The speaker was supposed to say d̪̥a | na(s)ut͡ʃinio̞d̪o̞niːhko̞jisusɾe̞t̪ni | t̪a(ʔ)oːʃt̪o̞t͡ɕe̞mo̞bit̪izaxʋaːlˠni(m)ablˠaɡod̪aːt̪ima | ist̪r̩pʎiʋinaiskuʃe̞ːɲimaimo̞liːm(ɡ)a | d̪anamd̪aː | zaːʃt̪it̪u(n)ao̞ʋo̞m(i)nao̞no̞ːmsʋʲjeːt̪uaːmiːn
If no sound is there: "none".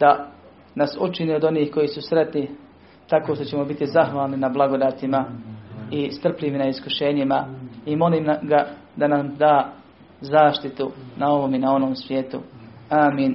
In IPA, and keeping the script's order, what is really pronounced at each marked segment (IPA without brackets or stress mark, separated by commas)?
s, k, n, ɡ, n, i